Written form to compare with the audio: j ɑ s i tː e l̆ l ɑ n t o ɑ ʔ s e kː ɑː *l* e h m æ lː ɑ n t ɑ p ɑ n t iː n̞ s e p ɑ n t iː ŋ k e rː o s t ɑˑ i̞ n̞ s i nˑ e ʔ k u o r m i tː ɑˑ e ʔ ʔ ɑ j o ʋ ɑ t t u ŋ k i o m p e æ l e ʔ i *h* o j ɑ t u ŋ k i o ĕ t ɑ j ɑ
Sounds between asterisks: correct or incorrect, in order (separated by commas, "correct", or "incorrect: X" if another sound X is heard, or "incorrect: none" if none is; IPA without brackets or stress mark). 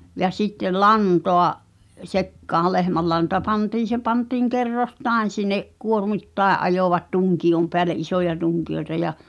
correct, incorrect: s